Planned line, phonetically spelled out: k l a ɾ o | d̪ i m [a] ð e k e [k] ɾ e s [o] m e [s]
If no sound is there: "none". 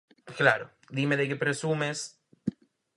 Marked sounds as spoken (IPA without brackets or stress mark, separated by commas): e, p, u, s